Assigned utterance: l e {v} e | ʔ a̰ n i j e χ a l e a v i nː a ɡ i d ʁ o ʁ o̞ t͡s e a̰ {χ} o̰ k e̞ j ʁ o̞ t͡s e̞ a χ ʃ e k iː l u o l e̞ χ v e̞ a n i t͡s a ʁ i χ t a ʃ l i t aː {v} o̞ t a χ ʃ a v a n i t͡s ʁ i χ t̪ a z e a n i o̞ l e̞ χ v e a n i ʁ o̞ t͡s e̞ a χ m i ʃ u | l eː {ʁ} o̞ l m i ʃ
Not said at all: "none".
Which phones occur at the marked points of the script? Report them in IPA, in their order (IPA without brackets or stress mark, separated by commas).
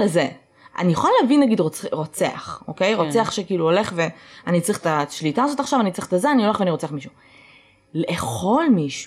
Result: z, χ, z, χ